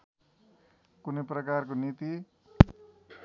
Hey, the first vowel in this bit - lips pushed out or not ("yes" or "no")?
yes